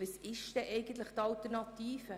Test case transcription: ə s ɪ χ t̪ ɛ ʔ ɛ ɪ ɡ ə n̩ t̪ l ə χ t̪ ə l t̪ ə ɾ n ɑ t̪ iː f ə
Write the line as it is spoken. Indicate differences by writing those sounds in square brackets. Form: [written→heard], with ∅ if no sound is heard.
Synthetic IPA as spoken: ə s ɪ [χ→ʃ] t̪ ɛ ʔ ɛ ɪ ɡ ə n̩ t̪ l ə χ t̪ [ə→ɑ] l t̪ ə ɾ n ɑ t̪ iː f ə